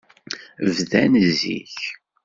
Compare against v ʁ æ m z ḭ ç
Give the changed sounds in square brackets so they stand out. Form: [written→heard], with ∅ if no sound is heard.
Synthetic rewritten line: v [ʁ→ð] æ [m→n] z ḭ ç